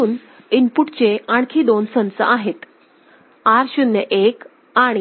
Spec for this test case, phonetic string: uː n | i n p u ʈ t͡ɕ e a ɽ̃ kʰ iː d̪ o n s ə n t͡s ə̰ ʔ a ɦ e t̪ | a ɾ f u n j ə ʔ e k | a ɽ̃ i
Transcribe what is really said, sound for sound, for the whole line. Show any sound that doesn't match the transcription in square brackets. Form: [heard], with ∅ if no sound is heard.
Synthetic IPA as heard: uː n | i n p u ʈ t͡ɕ e a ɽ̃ kʰ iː d̪ o n s ə n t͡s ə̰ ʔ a ɦ e t̪ | a ɾ [ɕ] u n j ə ʔ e k | a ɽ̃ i

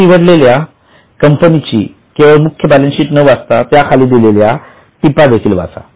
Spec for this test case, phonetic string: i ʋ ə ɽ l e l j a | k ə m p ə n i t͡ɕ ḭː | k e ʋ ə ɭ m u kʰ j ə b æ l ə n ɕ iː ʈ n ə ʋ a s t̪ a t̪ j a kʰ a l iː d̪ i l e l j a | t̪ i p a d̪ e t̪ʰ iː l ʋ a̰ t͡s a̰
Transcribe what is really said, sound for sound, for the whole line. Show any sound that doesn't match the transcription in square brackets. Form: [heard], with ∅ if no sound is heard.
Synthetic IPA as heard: i ʋ ə ɽ l e l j a | k ə m p ə n i t͡ɕ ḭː | k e ʋ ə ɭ m u kʰ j ə b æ l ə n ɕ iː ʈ n ə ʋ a s t̪ a t̪ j a kʰ a l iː d̪ i l e l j a | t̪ i p a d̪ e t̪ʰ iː l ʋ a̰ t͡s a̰

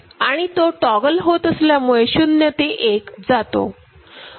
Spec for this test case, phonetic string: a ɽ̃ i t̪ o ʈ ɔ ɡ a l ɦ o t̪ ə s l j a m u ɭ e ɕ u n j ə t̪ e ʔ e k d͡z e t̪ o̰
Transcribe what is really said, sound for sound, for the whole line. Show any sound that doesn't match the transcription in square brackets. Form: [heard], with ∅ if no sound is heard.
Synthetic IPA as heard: a ɽ̃ i t̪ o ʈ ɔ ɡ [ə] l ɦ o t̪ ə s l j a m u ɭ e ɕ u n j ə t̪ e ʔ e k d͡z [a] t̪ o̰

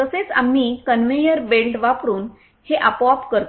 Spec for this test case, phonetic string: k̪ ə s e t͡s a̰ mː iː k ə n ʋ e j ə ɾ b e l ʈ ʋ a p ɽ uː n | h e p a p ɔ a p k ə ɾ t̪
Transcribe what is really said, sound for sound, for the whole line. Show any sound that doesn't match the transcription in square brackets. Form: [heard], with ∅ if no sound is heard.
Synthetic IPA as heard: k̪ ə s e t͡s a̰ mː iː k ə n ʋ e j ə ɾ b e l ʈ ʋ a p [ɾ] uː n | h e [ʔ] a p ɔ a p k ə ɾ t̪

